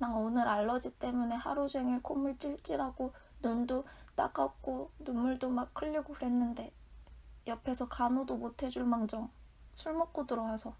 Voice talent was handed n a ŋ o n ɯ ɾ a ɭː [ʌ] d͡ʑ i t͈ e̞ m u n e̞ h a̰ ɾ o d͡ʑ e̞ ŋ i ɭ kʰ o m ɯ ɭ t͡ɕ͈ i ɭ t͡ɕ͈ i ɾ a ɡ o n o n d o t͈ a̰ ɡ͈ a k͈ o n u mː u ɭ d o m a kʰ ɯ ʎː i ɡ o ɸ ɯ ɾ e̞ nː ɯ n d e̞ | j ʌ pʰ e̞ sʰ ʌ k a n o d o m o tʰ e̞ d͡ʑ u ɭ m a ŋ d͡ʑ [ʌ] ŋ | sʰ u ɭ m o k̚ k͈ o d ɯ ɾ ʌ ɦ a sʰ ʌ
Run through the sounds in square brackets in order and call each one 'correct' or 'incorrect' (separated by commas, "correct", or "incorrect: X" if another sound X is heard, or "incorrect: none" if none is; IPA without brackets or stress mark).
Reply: correct, correct